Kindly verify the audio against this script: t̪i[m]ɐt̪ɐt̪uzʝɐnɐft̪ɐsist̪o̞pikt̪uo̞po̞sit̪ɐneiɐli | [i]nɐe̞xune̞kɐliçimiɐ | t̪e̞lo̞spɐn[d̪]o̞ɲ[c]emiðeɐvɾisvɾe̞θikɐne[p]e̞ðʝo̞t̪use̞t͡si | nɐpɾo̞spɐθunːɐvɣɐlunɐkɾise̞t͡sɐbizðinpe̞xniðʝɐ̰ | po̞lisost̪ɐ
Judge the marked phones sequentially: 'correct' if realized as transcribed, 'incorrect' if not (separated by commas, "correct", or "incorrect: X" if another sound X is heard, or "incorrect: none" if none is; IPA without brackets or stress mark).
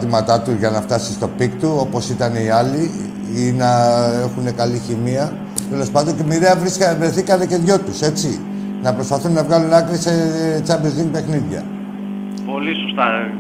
correct, correct, correct, correct, incorrect: c